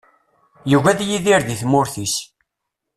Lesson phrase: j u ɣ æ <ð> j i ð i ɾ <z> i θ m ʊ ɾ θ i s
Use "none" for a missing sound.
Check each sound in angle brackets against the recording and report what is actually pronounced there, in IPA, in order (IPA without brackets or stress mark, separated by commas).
ð, ð